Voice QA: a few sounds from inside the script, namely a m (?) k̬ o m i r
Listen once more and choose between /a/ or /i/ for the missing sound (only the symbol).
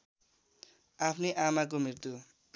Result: a